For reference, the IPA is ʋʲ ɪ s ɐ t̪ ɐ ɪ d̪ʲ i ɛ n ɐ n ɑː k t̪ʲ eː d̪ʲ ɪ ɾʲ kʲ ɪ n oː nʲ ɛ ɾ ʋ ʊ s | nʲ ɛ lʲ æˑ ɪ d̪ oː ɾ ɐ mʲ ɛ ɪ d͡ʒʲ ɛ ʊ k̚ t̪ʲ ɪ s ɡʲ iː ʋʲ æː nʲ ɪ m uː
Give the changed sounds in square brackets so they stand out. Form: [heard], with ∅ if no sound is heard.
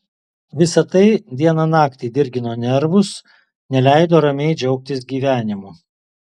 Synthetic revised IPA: ʋʲ ɪ s ɐ t̪ ɐ ɪ d̪ʲ i ɛ n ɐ n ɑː k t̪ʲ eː d̪ʲ ɪ ɾʲ [ɡʲ] ɪ n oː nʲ ɛ ɾ ʋ ʊ s | nʲ ɛ lʲ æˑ ɪ d̪ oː ɾ ɐ mʲ ɛ ɪ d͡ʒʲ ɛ ʊ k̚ t̪ʲ ɪ s ɡʲ iː ʋʲ æː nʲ ɪ m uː